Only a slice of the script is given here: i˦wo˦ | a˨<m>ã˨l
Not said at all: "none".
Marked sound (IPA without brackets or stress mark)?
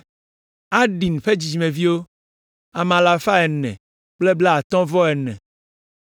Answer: m